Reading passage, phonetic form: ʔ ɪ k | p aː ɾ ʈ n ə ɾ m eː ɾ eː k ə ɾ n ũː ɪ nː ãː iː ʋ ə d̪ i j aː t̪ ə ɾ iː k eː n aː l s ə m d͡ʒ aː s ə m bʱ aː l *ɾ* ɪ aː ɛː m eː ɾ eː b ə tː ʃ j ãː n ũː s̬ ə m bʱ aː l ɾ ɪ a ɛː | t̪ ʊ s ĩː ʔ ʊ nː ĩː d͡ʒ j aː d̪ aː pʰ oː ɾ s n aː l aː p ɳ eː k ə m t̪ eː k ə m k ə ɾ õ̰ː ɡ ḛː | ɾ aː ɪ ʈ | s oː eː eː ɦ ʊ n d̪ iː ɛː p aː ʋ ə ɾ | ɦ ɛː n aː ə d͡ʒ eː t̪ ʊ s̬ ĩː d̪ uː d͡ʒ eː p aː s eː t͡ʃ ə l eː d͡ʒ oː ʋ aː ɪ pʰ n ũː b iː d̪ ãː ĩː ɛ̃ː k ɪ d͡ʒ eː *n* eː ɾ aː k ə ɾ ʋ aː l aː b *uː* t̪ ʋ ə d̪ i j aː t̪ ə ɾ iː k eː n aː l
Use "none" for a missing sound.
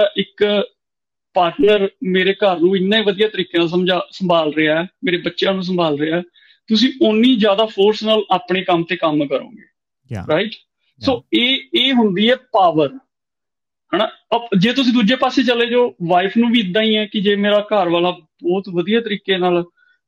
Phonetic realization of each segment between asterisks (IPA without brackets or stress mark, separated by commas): ɾ, m, ɔː